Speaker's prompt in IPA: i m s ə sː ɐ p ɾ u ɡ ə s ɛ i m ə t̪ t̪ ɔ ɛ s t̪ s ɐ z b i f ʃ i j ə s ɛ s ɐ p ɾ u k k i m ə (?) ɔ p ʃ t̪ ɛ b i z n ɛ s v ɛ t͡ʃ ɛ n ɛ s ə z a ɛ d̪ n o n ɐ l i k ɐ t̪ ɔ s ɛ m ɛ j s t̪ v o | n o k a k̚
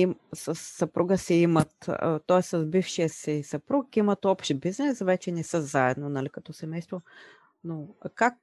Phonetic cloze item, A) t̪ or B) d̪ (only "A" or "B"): A